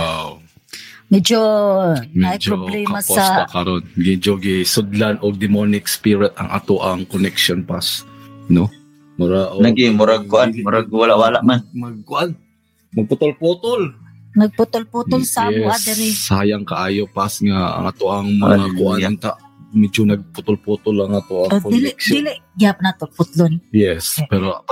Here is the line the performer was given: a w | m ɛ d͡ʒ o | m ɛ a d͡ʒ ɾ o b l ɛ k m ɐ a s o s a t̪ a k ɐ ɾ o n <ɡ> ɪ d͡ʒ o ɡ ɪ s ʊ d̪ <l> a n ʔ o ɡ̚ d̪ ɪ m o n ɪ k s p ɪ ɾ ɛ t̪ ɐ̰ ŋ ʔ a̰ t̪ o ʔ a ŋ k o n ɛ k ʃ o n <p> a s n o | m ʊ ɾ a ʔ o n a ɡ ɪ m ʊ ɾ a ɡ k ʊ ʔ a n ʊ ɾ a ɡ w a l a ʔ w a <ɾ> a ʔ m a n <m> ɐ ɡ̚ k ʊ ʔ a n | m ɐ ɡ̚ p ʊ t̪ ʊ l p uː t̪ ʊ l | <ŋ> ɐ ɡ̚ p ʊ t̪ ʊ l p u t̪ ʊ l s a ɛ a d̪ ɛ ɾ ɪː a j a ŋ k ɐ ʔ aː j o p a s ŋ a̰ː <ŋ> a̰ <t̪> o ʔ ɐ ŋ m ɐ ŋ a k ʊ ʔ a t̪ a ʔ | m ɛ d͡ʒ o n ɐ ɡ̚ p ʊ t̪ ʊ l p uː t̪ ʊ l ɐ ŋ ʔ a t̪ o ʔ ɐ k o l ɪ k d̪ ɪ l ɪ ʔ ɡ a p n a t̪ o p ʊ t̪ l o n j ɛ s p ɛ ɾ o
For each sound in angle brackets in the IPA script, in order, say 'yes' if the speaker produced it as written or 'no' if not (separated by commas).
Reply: yes, yes, yes, no, yes, no, yes, yes